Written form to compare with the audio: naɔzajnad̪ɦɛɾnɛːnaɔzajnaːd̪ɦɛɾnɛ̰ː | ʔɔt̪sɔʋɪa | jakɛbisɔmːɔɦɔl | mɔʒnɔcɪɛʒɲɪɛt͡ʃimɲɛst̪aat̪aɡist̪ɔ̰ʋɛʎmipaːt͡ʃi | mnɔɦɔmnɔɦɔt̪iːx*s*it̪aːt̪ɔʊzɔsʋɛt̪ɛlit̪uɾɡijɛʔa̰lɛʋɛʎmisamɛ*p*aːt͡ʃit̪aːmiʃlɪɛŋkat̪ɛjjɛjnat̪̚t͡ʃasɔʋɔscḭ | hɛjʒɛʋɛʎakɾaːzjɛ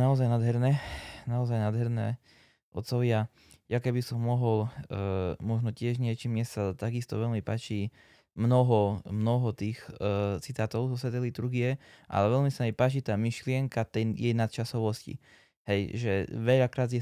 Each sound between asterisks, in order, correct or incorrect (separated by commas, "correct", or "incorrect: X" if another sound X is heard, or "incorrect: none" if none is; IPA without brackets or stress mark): incorrect: t͡s, correct